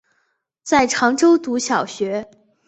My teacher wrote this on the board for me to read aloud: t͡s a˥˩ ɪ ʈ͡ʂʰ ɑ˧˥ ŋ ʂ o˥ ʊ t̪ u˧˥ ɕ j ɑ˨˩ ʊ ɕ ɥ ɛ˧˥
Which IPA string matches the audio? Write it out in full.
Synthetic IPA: t͡s a˥˩ ɪ ʈ͡ʂʰ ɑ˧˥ ŋ ʈ͡ʂ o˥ ʊ t̪ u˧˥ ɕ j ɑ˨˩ ʊ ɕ ɥ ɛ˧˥